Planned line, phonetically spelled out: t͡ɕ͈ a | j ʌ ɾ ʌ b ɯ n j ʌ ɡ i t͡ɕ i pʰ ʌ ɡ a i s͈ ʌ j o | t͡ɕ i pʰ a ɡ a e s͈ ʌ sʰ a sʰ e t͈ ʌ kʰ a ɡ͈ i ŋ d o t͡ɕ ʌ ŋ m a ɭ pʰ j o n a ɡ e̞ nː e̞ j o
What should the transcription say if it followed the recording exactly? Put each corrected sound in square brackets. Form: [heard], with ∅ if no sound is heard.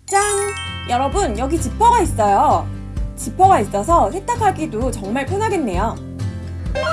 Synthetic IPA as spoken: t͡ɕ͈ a | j ʌ ɾ ʌ b ɯ n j ʌ ɡ i t͡ɕ i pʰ ʌ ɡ a i s͈ ʌ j o | t͡ɕ i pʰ [ʌ] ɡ a [i] s͈ ʌ sʰ [ʌ] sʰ e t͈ [a] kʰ a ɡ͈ i [∅] d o t͡ɕ ʌ ŋ m a ɭ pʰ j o n a ɡ e̞ nː e̞ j o